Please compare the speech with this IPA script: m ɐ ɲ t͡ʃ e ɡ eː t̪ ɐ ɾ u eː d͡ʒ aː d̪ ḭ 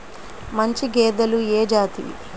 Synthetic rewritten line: m ɐ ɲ t͡ʃ i ɡ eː d̪ ɐ l u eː d͡ʒ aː t̪ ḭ